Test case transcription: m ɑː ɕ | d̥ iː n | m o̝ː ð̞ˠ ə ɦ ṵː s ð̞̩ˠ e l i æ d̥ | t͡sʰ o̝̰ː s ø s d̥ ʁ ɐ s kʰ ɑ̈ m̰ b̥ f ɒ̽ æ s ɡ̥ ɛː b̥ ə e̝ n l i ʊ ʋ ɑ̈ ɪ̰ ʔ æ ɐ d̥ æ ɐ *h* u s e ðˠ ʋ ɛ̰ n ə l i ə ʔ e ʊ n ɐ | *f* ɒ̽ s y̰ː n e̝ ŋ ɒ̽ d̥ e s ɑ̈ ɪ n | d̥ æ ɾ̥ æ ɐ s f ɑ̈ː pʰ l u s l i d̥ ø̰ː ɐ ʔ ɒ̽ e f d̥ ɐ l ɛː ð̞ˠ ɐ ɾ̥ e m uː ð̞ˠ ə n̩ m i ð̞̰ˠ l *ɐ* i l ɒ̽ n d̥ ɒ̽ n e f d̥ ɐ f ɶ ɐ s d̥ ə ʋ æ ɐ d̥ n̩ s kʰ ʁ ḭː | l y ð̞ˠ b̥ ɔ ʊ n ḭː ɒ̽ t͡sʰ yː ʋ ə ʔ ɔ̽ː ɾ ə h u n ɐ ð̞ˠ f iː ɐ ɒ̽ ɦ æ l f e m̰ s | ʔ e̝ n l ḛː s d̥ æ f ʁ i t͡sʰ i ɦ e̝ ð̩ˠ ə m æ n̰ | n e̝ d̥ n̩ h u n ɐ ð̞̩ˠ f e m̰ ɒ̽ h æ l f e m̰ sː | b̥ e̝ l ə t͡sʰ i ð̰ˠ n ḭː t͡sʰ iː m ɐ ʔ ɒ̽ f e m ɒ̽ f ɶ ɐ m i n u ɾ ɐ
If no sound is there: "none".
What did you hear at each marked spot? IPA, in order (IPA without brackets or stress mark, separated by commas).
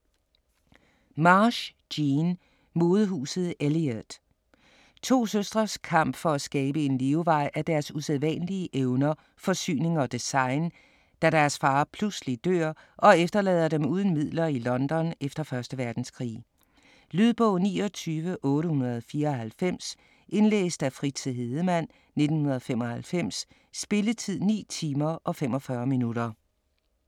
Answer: s, f, ɐ